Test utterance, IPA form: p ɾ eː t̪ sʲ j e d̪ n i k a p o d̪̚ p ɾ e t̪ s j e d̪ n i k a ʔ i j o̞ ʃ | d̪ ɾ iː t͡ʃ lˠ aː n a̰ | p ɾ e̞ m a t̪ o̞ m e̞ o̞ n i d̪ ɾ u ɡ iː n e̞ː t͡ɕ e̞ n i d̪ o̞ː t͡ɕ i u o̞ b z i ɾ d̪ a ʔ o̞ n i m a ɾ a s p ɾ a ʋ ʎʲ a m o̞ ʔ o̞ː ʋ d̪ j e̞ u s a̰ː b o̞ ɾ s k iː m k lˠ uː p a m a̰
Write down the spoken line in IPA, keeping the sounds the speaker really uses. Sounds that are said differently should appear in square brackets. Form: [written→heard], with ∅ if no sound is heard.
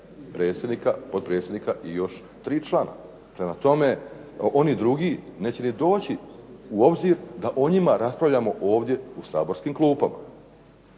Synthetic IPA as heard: p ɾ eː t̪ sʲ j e d̪ n i k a p o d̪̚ p ɾ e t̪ s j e d̪ n i k a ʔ i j o̞ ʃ | [d̪→t̪] ɾ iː t͡ʃ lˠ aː n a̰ | p ɾ e̞ m a t̪ o̞ m e̞ o̞ n i d̪ ɾ u ɡ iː n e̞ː t͡ɕ e̞ n i d̪ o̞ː t͡ɕ i u o̞ b z i ɾ d̪ a ʔ o̞ [n→ɲ] i m a ɾ a s p ɾ a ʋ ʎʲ a m o̞ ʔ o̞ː ʋ d̪ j e̞ u s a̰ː b o̞ ɾ s k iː m k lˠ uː p a m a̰

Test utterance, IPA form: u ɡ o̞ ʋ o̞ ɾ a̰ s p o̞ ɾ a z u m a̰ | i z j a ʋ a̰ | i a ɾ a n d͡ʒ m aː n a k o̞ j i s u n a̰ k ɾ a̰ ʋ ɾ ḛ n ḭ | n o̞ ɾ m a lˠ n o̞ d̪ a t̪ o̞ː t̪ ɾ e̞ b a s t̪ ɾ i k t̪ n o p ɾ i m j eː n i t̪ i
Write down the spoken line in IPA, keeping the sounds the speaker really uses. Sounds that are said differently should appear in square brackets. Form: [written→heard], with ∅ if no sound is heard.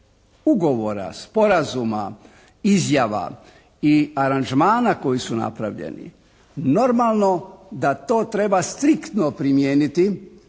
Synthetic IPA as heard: u ɡ o̞ ʋ o̞ ɾ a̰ s p o̞ ɾ a z u m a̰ | i z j a ʋ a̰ | i a ɾ a n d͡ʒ m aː n a k o̞ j i s u n a̰ [k→p] ɾ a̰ ʋ [ɾ→ʎ] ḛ n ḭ | n o̞ ɾ m a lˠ n o̞ d̪ a t̪ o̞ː t̪ ɾ e̞ b a s t̪ ɾ i k t̪ n o p ɾ i m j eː n i t̪ i

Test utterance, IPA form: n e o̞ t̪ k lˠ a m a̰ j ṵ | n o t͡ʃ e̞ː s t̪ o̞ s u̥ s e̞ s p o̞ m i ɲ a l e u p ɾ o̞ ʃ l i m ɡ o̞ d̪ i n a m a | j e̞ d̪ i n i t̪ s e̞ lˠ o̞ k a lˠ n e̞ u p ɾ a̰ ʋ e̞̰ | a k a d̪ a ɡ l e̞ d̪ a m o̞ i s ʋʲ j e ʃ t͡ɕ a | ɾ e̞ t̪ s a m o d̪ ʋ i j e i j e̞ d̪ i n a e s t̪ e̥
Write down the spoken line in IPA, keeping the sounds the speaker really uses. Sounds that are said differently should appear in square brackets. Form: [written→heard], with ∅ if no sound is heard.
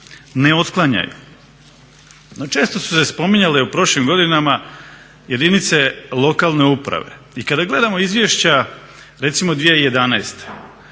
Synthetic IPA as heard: n e o̞ t̪ k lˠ a [m→ɲ] a̰ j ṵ | n o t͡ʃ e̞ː s t̪ o̞ s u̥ s e̞ s p o̞ m i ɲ a l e u p ɾ o̞ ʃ l i m ɡ o̞ d̪ i n a m a | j e̞ d̪ i n i t̪ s e̞ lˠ o̞ k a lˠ n e̞ u p ɾ a̰ ʋ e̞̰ | [a→i] k a d̪ a ɡ l e̞ d̪ a m o̞ i [s→z] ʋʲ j e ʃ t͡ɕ a | ɾ e̞ t̪ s [a→i] m o d̪ ʋ i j e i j e̞ d̪ [i→a] n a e s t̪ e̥

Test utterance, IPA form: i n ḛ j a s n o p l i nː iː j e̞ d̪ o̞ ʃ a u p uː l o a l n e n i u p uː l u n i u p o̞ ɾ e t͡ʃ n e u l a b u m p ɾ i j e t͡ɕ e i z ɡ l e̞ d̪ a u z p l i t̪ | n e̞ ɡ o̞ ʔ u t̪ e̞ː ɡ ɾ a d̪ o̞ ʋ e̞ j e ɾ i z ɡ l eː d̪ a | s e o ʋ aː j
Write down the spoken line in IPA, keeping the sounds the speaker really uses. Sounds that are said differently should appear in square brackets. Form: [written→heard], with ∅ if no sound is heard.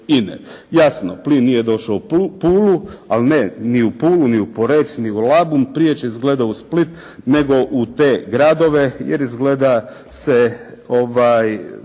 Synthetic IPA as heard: i n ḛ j a s n o p l i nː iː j e̞ d̪ o̞ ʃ a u p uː l [o→u] a l n e n i u p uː l u n i u p o̞ ɾ e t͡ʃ n [e→i] u l a b u m p ɾ i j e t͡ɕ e i z ɡ l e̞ d̪ a u [z→s] p l i t̪ | n e̞ ɡ o̞ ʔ u t̪ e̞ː ɡ ɾ a d̪ o̞ ʋ e̞ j e ɾ i z ɡ l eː d̪ a | s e o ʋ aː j

